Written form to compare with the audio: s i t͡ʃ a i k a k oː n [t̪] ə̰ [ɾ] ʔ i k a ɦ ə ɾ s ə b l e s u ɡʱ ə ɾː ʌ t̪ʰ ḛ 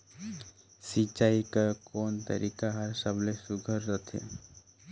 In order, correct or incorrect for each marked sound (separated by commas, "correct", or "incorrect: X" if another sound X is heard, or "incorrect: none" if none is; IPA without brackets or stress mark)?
correct, correct